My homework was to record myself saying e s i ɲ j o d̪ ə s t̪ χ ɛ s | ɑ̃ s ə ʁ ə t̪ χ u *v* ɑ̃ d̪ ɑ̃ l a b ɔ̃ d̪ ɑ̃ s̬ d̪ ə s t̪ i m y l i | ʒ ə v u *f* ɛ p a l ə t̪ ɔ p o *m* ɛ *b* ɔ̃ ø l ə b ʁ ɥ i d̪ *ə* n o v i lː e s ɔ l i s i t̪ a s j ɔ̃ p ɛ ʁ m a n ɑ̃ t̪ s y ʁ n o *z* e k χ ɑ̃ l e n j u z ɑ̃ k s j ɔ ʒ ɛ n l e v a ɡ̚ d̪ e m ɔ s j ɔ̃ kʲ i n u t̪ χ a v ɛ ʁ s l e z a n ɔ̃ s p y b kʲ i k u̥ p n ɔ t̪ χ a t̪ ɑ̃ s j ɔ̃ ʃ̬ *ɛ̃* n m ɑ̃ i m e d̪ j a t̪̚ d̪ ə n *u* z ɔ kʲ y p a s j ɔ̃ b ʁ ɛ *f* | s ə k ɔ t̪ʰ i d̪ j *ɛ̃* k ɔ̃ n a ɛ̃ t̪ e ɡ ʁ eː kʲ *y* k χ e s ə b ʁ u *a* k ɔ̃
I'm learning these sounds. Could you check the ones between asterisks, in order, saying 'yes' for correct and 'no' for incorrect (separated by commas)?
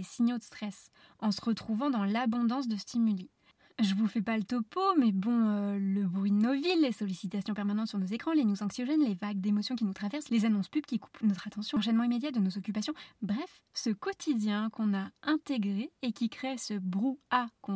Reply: yes, yes, yes, yes, yes, yes, no, no, yes, yes, no, yes